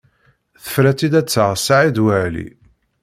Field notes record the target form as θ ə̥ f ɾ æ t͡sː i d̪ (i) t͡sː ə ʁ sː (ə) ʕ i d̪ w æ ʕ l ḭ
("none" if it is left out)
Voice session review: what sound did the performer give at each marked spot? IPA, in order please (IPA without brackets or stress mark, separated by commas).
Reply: æ, a